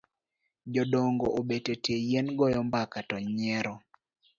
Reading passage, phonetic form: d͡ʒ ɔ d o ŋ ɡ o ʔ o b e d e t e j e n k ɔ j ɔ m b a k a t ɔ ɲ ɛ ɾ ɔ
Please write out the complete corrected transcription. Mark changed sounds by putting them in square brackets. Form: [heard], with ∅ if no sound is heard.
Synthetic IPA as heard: d͡ʒ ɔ d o ŋ ɡ o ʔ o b e [t] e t e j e n [ɡ] ɔ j ɔ m b a k a t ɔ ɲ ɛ ɾ ɔ